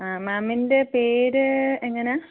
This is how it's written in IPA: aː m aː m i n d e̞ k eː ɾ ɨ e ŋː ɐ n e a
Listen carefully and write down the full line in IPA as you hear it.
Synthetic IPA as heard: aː m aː m i n d e̞ p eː ɾ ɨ e ŋː ɐ n e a